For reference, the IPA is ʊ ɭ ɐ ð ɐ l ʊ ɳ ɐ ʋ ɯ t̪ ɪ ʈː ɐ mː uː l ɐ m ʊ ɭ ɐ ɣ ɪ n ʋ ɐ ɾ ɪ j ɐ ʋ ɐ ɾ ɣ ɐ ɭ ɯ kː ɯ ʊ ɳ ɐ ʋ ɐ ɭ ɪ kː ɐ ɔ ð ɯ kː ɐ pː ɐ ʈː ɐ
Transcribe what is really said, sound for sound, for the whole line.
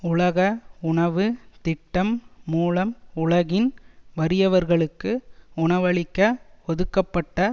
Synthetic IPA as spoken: ʊ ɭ ɐ ɣ ɐ ʊ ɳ ɐ ʋ ɯ t̪ ɪ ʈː ɐ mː uː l ɐ m ʊ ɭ ɐ ɣ ɪ n ʋ ɐ ɾ ɪ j ɐ ʋ ɐ ɾ ɣ ɐ ɭ ɯ kː ɯ ʊ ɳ ɐ ʋ ɐ ɭ ɪ kː ɐ ɔ ð ɯ kː ɐ pː ɐ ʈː ɐ